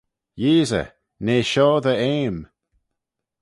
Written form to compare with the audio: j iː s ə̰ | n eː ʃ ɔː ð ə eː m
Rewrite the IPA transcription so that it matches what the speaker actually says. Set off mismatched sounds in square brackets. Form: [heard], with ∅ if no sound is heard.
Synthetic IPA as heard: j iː [z] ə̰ | n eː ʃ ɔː ð ə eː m